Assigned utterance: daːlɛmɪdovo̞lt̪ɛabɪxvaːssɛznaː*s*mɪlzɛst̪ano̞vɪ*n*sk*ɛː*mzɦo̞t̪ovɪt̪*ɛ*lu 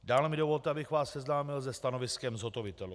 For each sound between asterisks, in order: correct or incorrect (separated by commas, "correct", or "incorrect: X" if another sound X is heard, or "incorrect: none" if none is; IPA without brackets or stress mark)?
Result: incorrect: none, incorrect: none, incorrect: ɛ, correct